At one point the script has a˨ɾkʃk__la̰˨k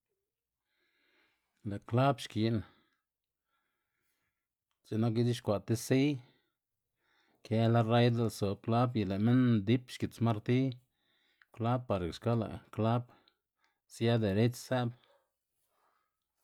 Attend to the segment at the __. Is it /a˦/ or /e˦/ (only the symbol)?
a˦